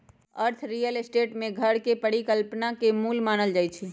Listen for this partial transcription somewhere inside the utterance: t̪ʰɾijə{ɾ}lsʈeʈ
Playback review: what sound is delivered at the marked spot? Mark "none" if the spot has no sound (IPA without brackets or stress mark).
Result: none